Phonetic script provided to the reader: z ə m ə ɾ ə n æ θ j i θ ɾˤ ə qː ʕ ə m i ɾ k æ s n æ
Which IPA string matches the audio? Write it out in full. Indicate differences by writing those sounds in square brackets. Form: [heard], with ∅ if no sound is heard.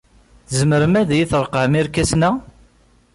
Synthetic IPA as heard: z ə m ə ɾ ə [m] æ [ð] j i θ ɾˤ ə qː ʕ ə m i ɾ k æ s n æ